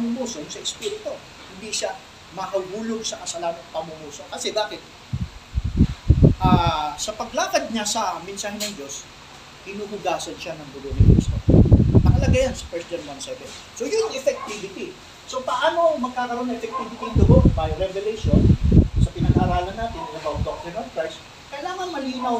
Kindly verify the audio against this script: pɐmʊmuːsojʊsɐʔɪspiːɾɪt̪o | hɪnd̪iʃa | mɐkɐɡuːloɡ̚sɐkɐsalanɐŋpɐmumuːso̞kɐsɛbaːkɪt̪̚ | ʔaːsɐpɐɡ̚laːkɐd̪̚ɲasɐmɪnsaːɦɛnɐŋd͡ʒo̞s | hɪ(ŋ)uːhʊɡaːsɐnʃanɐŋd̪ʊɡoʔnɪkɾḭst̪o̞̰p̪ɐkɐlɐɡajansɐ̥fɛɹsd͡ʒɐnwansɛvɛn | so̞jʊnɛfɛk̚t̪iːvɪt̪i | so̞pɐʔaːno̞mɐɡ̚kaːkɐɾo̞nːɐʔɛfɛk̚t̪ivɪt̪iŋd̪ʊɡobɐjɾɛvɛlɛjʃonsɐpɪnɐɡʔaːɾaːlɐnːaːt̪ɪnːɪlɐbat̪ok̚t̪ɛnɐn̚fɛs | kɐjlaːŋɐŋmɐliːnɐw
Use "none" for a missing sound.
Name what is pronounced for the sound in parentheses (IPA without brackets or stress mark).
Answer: n